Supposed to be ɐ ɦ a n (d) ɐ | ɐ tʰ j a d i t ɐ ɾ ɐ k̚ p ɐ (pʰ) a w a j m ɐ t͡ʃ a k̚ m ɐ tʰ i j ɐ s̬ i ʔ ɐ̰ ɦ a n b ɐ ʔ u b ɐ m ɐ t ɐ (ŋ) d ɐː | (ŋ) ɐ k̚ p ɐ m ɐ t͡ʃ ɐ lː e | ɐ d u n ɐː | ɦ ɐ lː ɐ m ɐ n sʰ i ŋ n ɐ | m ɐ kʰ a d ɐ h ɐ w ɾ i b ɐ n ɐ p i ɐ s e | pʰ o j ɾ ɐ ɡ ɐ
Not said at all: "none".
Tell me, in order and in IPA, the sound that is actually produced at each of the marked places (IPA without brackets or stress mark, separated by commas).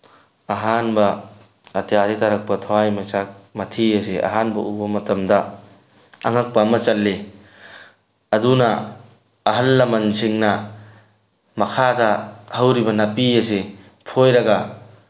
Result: b, tʰ, m, ŋ